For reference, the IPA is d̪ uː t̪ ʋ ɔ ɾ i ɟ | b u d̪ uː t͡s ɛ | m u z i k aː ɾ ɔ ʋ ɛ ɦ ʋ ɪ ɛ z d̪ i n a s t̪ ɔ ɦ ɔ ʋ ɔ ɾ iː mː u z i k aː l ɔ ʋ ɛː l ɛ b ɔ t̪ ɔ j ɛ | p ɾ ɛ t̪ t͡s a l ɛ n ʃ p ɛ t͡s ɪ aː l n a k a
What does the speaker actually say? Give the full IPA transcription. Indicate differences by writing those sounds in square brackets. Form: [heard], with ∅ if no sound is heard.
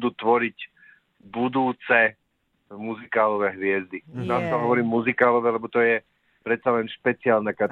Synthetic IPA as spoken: d̪ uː t̪ ʋ ɔ ɾ i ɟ | b u d̪ uː t͡s ɛ | m u z i k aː [l] ɔ ʋ ɛ ɦ ʋ ɪ ɛ z d̪ i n a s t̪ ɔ ɦ ɔ ʋ ɔ ɾ iː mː u z i k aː l ɔ ʋ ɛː l ɛ b ɔ t̪ ɔ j ɛ | p ɾ ɛ t̪ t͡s a l ɛ n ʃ p ɛ t͡s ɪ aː l n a k a